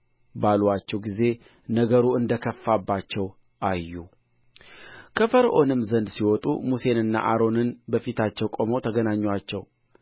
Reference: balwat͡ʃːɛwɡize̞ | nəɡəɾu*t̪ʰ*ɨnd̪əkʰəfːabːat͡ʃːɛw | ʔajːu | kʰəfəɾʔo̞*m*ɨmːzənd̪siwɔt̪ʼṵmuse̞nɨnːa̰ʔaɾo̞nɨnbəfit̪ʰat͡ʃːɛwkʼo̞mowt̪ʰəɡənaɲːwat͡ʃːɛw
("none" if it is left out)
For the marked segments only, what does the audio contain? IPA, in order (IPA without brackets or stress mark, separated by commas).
none, n